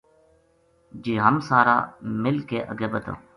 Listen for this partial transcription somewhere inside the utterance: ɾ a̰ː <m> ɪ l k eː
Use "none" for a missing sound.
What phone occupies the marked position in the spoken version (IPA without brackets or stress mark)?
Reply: m